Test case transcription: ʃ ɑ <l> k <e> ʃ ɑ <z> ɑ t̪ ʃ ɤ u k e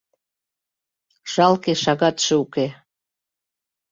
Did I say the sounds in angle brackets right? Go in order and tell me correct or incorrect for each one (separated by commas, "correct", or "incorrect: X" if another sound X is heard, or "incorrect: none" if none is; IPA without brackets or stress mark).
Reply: correct, correct, incorrect: ɣ